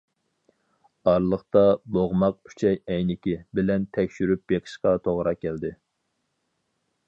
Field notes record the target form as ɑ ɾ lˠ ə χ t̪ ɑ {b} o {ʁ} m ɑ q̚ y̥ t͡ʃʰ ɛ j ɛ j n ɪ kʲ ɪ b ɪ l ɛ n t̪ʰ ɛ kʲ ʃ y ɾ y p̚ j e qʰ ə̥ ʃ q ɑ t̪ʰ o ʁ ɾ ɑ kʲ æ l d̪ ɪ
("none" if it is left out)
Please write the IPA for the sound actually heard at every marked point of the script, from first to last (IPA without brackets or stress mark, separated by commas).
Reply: b, ʁ